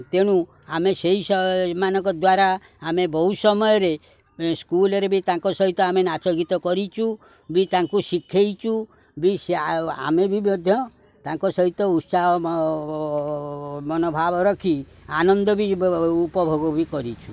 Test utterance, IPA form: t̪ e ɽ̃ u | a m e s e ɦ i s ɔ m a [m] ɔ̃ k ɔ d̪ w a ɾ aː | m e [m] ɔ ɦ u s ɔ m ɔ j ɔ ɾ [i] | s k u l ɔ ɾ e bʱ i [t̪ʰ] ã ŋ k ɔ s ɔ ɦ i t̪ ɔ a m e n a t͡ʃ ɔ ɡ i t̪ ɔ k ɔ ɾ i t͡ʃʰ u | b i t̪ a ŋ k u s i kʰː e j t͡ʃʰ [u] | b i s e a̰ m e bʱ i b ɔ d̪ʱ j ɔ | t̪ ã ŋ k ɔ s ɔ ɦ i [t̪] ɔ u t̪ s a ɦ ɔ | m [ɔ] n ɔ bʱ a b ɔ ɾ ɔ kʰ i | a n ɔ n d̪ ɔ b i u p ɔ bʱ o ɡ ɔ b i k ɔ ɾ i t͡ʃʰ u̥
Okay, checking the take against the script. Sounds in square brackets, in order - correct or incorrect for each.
incorrect: n, incorrect: b, incorrect: e, incorrect: t̪, correct, correct, correct

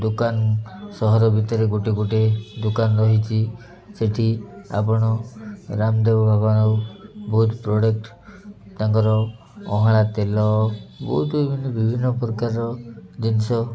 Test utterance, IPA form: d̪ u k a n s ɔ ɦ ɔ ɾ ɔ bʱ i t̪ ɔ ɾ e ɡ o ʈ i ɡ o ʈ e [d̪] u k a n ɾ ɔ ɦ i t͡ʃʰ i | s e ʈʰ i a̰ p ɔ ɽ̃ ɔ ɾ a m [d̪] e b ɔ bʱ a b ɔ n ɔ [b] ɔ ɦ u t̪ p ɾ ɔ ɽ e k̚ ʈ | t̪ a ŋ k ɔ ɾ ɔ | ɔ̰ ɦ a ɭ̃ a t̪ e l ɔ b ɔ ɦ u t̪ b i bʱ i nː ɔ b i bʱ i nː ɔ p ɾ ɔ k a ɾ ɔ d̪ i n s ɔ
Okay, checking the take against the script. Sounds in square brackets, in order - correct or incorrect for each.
correct, correct, correct

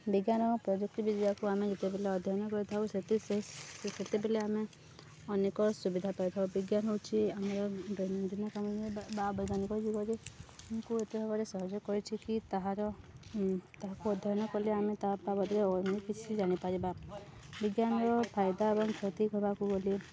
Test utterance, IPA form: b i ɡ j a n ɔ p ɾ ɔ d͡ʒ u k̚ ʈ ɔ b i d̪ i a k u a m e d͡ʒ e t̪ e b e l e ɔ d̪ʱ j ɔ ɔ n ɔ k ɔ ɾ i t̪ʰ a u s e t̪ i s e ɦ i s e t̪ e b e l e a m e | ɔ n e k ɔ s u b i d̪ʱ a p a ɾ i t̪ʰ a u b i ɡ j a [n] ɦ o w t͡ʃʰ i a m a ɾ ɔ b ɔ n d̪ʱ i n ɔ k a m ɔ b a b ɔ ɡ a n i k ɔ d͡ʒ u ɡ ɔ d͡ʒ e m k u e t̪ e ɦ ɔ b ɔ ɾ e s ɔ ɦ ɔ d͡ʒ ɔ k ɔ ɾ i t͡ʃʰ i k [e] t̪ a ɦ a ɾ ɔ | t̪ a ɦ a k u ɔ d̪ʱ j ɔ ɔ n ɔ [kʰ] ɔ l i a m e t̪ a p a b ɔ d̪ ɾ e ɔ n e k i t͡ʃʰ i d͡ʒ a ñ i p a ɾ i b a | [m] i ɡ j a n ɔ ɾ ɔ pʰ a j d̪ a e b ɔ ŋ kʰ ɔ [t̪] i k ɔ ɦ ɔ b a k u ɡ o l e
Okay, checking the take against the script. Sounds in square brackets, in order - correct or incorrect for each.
correct, incorrect: i, incorrect: k, incorrect: b, correct

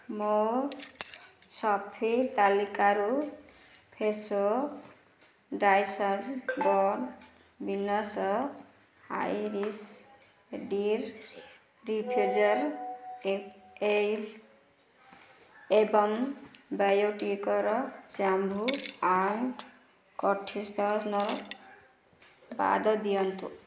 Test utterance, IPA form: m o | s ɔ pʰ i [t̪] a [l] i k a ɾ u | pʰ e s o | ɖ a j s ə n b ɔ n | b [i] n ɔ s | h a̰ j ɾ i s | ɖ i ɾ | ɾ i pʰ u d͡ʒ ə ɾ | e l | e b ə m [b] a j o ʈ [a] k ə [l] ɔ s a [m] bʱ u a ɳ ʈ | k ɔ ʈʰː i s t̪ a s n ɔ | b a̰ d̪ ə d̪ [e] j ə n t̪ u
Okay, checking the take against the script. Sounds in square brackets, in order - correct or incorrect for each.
correct, correct, correct, correct, incorrect: i, incorrect: ɾ, correct, incorrect: i

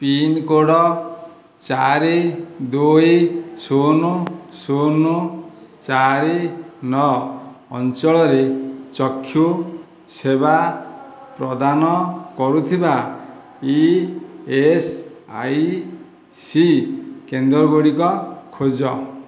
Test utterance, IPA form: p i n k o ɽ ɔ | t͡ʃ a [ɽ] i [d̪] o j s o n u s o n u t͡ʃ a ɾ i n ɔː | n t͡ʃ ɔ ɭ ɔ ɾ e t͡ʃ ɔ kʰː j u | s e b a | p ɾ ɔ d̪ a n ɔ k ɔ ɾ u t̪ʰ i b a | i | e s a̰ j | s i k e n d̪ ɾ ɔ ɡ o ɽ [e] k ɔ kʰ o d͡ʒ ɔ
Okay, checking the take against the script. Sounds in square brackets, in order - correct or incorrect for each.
incorrect: ɾ, correct, incorrect: i

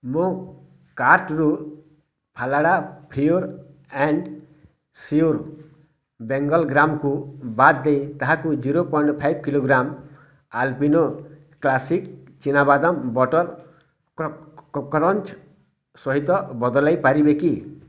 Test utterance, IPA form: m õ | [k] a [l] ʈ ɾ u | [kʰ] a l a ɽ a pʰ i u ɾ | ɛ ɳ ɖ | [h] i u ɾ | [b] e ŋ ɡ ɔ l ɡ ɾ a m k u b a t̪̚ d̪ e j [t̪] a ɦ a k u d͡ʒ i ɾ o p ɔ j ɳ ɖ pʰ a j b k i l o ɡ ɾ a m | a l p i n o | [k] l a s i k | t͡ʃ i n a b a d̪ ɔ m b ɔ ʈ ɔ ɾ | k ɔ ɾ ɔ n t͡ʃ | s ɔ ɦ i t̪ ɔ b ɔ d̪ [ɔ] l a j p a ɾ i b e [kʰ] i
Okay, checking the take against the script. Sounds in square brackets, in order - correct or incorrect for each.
correct, incorrect: ɾ, incorrect: pʰ, incorrect: s, correct, correct, correct, correct, incorrect: k

